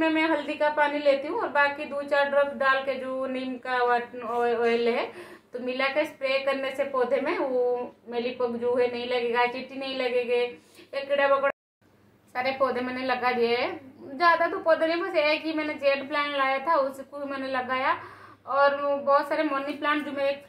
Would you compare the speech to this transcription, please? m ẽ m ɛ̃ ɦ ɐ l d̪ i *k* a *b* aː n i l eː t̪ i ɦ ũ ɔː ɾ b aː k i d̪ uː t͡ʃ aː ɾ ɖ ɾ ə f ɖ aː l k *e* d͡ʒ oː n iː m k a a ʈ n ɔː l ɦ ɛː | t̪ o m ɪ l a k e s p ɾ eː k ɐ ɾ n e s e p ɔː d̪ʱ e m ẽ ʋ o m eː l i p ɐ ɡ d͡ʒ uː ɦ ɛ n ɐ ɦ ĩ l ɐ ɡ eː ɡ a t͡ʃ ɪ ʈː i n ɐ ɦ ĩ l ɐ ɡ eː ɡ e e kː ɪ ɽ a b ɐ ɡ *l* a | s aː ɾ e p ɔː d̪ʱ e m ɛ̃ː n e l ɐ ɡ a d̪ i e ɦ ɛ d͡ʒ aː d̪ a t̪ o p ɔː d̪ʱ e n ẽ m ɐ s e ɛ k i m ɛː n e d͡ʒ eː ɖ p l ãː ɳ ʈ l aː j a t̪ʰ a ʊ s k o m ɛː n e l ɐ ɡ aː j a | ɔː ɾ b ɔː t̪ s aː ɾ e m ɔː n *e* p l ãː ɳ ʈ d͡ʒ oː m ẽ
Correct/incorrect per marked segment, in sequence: correct, incorrect: p, correct, incorrect: ɽ, incorrect: i

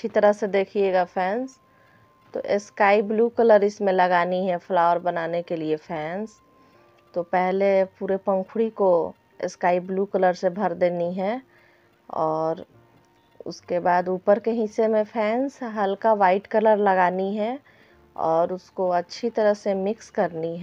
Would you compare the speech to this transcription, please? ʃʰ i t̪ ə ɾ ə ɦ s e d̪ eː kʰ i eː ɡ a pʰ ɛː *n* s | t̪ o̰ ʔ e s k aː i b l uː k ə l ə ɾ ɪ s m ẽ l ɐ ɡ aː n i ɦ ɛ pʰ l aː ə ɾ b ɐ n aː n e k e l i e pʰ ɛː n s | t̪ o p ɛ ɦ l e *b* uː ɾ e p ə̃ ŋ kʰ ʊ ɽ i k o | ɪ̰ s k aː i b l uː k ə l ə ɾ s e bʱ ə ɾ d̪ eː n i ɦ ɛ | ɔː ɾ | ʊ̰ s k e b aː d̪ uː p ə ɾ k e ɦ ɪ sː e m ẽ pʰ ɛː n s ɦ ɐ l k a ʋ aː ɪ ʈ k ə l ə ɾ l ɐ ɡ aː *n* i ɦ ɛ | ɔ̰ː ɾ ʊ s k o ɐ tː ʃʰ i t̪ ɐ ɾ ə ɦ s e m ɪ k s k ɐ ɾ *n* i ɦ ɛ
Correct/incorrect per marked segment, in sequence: correct, incorrect: p, correct, correct

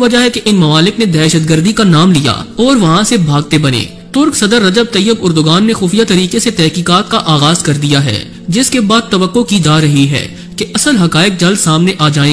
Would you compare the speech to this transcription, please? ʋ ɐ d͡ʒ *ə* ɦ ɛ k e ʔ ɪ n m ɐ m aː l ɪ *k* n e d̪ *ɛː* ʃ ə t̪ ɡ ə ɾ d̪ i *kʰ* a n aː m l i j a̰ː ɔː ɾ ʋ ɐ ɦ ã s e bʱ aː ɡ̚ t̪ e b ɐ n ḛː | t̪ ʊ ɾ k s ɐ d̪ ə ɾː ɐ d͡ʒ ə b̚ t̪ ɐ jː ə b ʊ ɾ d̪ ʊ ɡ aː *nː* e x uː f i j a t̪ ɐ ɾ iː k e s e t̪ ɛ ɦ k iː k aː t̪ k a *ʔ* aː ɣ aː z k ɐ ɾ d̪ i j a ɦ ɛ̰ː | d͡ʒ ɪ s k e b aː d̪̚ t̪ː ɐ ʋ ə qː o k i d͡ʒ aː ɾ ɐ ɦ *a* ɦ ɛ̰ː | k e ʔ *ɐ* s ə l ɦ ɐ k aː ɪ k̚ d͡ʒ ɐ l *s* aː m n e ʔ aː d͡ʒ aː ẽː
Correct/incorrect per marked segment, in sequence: incorrect: a, correct, correct, incorrect: k, correct, correct, incorrect: i, correct, correct

